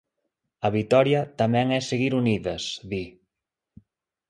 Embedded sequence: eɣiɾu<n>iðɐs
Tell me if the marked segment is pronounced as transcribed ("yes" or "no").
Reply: yes